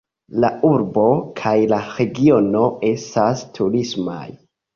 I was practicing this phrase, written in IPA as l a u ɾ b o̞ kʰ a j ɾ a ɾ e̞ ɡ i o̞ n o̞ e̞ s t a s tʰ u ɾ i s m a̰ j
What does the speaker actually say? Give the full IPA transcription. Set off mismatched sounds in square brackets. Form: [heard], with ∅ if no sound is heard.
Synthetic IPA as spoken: l a u ɾ b o̞ kʰ a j [l] a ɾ e̞ ɡ i o̞ n o̞ e̞ s t a s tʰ u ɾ i s m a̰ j